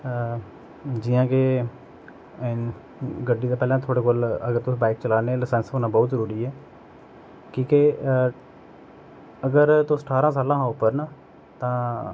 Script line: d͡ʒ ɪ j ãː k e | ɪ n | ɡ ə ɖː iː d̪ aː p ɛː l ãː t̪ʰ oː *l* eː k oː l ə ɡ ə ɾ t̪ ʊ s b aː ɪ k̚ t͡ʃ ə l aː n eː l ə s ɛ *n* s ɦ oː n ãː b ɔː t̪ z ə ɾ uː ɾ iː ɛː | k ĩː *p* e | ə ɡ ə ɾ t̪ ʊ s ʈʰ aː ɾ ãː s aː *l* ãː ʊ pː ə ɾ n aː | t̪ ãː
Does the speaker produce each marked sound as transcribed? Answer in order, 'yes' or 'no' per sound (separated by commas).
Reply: no, yes, no, yes